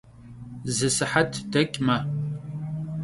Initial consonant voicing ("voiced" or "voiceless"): voiced